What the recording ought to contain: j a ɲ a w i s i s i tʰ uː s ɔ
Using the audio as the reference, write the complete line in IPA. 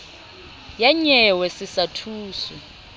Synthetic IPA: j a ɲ ɛ w ɛ s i s a tʰ uː s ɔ